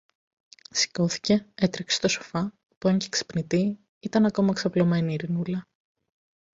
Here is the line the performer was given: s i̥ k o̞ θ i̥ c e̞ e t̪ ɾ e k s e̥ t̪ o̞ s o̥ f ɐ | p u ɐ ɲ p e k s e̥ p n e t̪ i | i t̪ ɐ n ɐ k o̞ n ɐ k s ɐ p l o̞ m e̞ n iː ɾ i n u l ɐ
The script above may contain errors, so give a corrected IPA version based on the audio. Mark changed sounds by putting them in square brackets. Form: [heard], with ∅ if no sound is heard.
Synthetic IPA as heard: s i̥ k o̞ θ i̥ c e̞ e t̪ ɾ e k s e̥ t̪ o̞ s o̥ f ɐ | p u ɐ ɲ [c] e k s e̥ p n [i] t̪ i | i t̪ ɐ n ɐ k o̞ [m] ɐ k s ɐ p l o̞ m e̞ n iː ɾ i n u l ɐ